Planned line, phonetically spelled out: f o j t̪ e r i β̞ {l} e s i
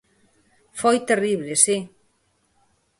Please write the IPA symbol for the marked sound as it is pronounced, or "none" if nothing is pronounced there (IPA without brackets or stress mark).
l